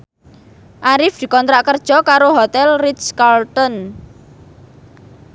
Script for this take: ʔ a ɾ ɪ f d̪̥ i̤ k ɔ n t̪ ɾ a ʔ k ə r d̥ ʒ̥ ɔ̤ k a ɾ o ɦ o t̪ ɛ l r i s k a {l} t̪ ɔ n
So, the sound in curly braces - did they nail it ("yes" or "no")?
yes